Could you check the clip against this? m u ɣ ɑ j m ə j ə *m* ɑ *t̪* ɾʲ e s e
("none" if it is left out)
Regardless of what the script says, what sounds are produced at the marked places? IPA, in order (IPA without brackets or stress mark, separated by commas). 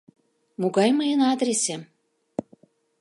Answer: n, d̪